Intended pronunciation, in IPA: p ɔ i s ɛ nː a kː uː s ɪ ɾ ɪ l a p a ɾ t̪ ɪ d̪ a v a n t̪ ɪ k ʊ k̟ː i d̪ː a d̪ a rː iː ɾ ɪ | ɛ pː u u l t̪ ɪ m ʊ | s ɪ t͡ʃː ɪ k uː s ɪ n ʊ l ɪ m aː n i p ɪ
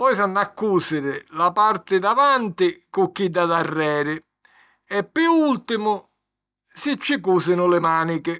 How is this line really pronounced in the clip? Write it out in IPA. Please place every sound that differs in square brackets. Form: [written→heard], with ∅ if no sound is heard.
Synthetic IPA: p ɔ [i→j] s [ɛ→a] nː a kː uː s ɪ ɾ ɪ l a p a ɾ t̪ ɪ d̪ a v a n t̪ ɪ k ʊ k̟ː i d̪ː a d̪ a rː [iː→ɛː] ɾ ɪ | ɛ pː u u l t̪ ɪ m ʊ | s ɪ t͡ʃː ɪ k uː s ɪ n ʊ l ɪ m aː n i [p→k] ɪ